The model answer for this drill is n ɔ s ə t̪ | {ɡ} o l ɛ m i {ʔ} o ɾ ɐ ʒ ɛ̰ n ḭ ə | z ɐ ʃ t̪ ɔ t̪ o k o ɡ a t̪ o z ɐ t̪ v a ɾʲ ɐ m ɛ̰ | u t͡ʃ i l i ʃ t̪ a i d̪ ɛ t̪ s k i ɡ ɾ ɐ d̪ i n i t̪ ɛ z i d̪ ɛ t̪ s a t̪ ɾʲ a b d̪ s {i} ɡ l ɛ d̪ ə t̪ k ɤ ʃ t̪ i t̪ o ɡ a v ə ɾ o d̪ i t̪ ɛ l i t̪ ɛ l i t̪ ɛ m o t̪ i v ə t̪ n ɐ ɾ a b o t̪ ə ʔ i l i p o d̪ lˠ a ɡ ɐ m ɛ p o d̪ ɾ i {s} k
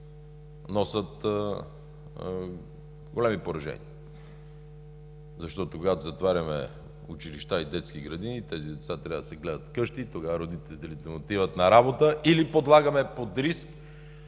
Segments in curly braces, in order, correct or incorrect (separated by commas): correct, incorrect, incorrect, correct